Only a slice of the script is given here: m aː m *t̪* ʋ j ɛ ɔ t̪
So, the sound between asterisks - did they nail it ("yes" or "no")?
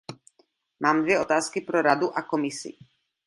no